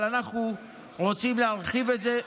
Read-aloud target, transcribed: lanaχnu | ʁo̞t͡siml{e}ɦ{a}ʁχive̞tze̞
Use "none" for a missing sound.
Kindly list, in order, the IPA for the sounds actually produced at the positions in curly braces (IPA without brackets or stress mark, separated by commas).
e, a